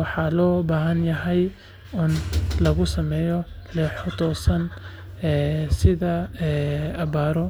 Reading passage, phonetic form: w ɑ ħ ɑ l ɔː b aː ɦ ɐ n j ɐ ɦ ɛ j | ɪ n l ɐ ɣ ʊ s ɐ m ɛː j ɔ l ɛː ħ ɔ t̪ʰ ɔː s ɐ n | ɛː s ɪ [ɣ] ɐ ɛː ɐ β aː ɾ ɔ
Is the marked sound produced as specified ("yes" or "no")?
no